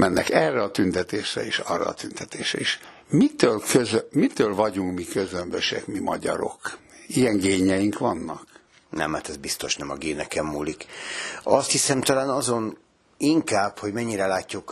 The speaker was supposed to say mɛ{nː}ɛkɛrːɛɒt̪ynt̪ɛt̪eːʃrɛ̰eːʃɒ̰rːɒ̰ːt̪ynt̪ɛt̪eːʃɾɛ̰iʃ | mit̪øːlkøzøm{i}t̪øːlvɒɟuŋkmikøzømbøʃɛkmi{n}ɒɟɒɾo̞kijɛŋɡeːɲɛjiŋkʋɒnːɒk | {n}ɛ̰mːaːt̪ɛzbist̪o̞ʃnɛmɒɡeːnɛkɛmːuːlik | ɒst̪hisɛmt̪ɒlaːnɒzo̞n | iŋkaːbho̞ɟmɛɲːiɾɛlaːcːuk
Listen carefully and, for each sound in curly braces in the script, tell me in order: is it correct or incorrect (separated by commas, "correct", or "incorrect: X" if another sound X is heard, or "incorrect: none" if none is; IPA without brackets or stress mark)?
correct, correct, incorrect: m, correct